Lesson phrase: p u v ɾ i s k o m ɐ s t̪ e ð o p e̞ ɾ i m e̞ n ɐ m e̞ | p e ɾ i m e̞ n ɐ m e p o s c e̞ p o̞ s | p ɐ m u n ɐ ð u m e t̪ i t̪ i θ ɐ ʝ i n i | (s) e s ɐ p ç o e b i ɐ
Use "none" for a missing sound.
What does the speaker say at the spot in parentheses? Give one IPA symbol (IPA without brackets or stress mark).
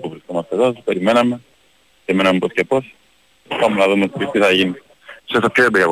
s